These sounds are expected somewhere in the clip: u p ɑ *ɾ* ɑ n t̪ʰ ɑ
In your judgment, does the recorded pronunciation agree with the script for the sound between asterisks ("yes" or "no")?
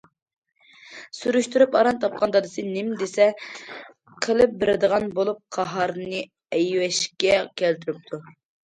yes